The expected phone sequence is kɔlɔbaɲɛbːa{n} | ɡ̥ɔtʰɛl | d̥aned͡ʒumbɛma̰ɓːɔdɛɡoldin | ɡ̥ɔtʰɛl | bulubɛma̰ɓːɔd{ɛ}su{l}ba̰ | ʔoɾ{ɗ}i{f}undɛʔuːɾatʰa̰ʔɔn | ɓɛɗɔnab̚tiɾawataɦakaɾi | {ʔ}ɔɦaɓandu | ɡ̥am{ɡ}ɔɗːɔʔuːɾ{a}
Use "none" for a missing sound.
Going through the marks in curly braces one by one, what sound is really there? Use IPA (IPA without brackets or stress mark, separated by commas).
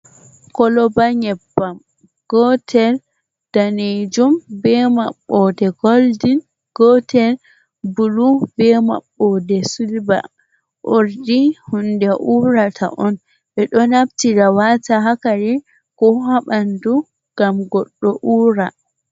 m, ɛ, l, d, h, k, ɡ, a